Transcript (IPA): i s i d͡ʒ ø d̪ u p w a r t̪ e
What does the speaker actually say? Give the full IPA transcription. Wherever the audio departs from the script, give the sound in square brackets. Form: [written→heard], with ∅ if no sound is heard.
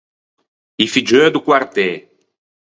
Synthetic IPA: i [s→f] i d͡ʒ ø d̪ u [p→k] w a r t̪ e